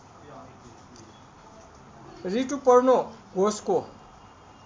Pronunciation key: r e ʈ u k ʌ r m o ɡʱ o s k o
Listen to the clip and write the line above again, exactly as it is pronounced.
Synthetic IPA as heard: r i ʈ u p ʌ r n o ɡʱ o s k o

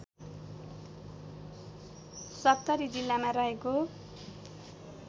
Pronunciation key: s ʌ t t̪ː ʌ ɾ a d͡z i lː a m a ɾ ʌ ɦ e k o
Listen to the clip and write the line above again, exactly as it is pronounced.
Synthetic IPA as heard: s ʌ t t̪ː ʌ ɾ i d͡z i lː a m a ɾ ʌ ɦ e k o

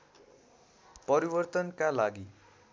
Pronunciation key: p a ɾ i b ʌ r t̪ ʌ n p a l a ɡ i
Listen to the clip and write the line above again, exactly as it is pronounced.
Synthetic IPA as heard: p ʌ ɾ i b ʌ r t̪ ʌ n k a l a ɡ i

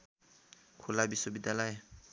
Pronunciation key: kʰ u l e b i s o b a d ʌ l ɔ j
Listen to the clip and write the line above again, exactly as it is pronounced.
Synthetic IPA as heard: kʰ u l a b i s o b i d a l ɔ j

